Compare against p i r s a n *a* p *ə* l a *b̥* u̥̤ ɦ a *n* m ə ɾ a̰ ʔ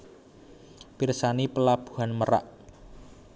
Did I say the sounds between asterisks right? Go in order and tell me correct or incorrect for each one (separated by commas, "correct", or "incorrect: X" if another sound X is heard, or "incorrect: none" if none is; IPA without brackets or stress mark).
incorrect: i, correct, correct, correct